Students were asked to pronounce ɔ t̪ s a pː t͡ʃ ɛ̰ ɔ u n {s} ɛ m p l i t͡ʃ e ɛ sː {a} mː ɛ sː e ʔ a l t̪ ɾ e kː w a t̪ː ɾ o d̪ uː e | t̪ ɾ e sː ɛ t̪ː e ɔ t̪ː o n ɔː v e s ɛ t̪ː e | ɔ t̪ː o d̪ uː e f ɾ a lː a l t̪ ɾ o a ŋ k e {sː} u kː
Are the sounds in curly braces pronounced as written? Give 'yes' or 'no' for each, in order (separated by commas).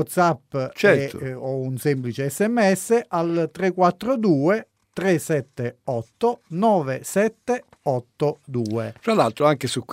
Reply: yes, no, no